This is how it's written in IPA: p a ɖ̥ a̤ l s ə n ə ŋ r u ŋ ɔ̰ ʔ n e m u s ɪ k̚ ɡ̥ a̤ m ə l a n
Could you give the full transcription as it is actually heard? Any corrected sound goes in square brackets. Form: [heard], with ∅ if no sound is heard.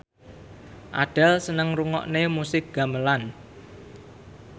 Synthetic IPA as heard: [ʔ] a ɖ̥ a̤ l s ə n ə ŋ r u ŋ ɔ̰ ʔ n e m u s ɪ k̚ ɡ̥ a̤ m ə l a n

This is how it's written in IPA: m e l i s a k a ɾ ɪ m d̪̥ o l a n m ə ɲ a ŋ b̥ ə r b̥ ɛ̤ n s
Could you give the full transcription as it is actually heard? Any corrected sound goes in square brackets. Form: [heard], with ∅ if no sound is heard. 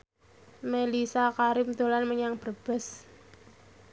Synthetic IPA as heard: m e l i s a k a ɾ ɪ m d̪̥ o l a n m ə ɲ a ŋ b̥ ə r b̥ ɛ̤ [∅] s

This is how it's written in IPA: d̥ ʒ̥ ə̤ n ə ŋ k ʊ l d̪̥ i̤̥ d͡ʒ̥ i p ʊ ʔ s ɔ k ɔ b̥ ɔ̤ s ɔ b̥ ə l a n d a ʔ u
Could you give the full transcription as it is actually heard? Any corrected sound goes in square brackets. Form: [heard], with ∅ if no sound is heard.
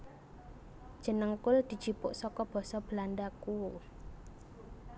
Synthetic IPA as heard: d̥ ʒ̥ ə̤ n ə ŋ k ʊ l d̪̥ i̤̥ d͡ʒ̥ i p ʊ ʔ s ɔ k ɔ b̥ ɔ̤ s ɔ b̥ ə l a n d a [k] u

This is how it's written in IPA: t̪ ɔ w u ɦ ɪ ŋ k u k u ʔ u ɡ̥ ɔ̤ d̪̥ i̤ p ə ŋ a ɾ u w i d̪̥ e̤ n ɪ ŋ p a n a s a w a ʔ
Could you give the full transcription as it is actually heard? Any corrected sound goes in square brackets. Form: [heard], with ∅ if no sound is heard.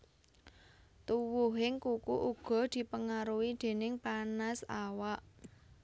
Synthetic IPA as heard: t̪ [u] w u ɦ ɪ ŋ k u k u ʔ u ɡ̥ ɔ̤ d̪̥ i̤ p ə ŋ a ɾ u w i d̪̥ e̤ n ɪ ŋ p a n a s a w a ʔ

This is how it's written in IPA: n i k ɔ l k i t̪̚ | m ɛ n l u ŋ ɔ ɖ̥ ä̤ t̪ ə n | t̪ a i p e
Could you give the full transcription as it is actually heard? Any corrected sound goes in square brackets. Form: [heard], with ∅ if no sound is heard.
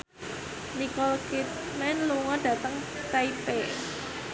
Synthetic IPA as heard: n i k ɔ l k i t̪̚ | m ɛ n l u ŋ ɔ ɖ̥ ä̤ t̪ ə [ŋ] | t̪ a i p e

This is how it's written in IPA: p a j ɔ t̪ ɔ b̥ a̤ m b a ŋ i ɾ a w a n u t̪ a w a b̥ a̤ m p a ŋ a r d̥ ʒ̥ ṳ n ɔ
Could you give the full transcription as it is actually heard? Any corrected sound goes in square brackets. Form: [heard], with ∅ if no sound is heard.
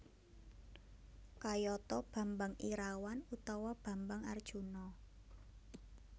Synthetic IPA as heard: [k] a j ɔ t̪ ɔ b̥ a̤ m b a ŋ i ɾ a w a n u t̪ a w a b̥ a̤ m [b] a ŋ a r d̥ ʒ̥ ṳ n ɔ

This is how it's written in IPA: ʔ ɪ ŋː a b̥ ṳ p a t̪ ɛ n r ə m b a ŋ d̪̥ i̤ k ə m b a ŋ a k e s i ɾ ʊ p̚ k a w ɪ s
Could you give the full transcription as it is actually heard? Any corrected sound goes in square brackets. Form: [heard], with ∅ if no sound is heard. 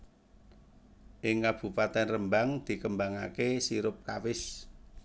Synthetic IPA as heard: ʔ ɪ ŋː a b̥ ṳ p a t̪ ɛ n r ə m b a ŋ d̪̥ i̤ k ə m b a ŋ a k e s i ɾ ʊ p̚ k a w ɪ s

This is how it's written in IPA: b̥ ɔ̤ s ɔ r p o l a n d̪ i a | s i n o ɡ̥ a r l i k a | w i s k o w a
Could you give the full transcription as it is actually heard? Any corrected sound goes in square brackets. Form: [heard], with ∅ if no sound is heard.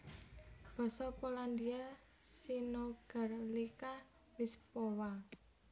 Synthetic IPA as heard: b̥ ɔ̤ s ɔ [∅] p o l a n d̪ i a | s i n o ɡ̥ a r l i k a | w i s [p] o w a

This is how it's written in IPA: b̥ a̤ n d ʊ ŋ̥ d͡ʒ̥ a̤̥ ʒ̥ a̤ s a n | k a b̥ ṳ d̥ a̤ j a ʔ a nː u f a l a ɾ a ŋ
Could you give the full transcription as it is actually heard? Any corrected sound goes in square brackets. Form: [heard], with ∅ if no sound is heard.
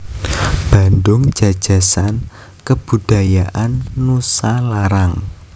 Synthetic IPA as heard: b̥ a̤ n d ʊ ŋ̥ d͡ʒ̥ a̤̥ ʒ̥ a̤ s a n | k [ə] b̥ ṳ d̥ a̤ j a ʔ a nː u [s] a l a ɾ a ŋ

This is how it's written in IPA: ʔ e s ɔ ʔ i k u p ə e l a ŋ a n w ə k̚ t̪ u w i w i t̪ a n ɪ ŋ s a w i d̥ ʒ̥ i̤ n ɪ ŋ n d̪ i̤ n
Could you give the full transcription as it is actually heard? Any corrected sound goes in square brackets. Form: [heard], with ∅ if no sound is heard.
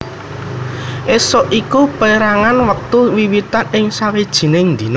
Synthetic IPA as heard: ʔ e s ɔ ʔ i k u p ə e [ɾ] a ŋ a n w ə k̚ t̪ u w i w i t̪ a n ɪ ŋ s a w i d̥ ʒ̥ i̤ n ɪ ŋ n d̪ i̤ n

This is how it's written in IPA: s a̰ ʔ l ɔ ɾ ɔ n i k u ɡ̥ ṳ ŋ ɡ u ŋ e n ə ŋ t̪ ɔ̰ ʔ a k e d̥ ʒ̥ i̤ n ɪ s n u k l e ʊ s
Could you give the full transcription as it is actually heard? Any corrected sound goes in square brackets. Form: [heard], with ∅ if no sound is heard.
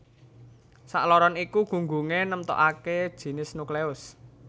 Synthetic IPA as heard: s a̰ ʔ l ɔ ɾ ɔ n i k u ɡ̥ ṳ ŋ ɡ u ŋ e n ə [m] t̪ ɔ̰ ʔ a k e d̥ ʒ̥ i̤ n ɪ s n u k l e ʊ s

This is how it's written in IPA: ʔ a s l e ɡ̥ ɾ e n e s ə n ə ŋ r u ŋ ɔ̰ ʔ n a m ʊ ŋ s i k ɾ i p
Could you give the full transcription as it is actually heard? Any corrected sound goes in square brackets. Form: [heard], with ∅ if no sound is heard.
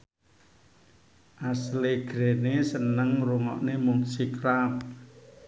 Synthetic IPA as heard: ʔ a s l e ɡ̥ ɾ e n e s ə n ə ŋ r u ŋ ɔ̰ ʔ n [e] m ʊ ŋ s i k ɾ [a] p

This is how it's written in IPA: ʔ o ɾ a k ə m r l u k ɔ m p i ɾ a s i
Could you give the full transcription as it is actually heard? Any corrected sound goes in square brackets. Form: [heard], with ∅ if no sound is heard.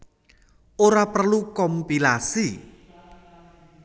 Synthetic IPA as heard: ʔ o ɾ a [p] ə [∅] r l u k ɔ m p i [l] a s i

